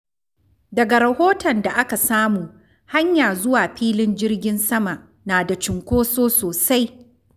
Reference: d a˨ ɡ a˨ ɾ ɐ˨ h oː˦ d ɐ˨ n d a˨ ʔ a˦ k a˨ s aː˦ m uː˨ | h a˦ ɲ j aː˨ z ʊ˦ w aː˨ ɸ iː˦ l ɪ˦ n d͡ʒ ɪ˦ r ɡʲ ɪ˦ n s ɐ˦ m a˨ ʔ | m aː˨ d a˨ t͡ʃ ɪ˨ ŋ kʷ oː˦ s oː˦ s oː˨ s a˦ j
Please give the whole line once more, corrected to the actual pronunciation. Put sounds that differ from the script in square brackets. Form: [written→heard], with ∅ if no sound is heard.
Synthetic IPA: d [a˨→ɐ˨] ɡ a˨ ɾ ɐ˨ h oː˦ [d→t] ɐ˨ n d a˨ ʔ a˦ k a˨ s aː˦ m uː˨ | h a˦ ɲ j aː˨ z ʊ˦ w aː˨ ɸ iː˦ l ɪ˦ n d͡ʒ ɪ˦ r ɡʲ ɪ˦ n s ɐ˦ m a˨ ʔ | [m→n] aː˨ d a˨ t͡ʃ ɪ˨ ŋ kʷ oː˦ s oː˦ s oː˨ s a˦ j